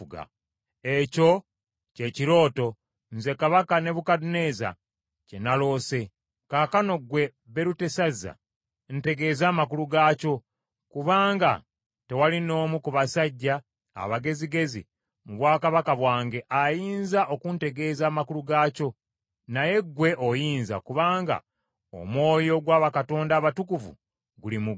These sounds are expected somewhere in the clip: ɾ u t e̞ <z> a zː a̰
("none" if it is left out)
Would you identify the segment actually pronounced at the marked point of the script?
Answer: s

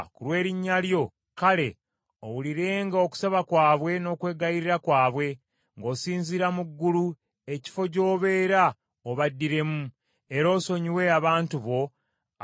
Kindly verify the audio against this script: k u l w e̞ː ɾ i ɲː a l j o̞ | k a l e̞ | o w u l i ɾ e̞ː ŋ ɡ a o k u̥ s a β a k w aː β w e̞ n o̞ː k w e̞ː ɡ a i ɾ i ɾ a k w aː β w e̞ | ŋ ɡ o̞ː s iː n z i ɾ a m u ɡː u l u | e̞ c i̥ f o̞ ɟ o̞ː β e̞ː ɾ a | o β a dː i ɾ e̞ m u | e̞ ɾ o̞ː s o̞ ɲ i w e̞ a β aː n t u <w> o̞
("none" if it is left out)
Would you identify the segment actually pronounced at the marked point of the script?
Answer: β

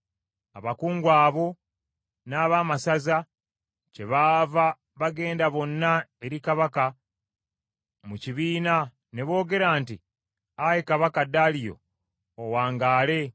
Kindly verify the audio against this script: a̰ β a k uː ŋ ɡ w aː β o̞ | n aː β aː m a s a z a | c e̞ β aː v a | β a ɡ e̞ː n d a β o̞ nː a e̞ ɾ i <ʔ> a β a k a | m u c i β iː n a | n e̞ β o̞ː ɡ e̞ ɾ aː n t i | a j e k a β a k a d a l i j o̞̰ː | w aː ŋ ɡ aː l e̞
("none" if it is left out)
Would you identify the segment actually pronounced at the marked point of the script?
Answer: k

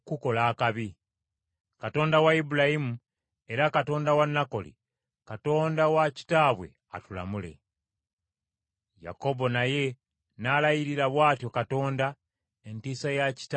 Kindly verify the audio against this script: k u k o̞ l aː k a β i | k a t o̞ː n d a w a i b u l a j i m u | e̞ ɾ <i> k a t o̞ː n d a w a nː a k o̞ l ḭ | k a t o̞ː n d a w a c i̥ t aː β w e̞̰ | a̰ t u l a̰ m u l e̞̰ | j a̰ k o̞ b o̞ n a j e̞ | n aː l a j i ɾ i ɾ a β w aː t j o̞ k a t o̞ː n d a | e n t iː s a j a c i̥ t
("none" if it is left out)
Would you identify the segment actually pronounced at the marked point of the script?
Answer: a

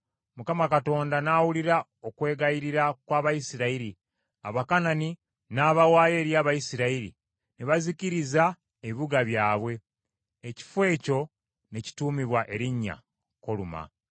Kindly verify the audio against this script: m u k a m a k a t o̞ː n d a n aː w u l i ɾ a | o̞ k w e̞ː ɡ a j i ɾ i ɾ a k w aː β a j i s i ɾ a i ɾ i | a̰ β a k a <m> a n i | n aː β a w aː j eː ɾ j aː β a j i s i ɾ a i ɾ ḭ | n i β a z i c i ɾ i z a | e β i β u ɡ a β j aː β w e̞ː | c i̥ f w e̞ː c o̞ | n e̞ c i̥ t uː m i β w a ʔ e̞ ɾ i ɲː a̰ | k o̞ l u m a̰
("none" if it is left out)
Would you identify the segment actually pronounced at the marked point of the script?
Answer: n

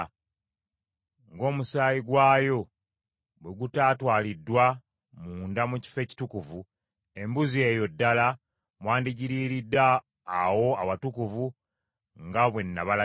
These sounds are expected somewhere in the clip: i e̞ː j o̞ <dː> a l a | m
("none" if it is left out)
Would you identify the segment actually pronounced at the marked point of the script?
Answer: dː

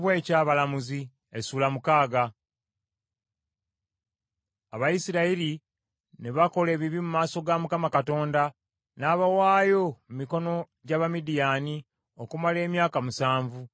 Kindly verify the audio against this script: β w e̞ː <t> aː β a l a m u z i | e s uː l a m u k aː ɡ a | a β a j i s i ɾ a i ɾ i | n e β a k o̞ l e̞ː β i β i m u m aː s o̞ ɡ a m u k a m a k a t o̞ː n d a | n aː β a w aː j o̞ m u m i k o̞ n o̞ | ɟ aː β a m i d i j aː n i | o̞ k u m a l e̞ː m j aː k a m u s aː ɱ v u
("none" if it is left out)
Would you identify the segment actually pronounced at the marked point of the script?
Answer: c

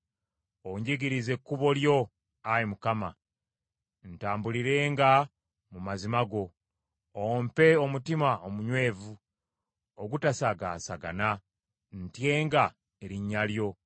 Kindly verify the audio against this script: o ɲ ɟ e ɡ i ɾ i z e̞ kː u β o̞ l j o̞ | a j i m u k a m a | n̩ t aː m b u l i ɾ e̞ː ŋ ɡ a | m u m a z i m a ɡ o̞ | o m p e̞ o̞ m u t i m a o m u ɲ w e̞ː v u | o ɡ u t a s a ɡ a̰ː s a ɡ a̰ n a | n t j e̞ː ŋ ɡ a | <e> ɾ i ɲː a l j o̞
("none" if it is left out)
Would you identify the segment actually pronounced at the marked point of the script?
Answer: e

